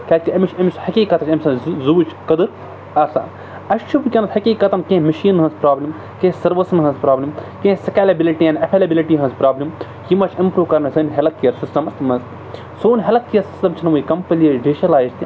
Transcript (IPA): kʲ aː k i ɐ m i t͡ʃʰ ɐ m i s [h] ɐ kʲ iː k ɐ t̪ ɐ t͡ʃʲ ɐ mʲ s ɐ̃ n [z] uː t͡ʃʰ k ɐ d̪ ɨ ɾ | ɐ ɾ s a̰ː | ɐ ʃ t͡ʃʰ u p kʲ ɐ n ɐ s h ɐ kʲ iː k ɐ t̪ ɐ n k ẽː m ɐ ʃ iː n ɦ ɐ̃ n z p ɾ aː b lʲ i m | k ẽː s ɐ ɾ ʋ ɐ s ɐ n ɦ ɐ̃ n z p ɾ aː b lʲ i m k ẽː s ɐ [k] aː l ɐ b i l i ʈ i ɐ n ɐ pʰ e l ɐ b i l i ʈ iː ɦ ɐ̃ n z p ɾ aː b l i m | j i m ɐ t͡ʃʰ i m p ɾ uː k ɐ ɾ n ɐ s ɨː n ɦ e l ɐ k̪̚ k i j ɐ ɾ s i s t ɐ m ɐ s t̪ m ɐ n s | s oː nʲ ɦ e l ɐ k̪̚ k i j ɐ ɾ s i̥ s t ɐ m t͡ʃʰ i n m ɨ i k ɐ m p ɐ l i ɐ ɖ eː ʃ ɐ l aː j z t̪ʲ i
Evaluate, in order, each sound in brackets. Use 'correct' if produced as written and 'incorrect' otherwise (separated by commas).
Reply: correct, correct, correct